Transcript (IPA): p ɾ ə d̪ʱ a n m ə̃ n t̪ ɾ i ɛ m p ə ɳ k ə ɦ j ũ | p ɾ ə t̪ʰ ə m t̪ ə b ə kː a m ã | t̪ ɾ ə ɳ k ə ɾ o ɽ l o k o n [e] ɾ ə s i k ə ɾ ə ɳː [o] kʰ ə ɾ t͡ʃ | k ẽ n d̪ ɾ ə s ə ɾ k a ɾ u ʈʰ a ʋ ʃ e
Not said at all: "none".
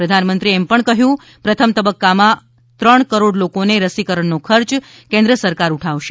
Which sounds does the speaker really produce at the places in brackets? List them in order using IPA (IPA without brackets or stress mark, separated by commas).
e, o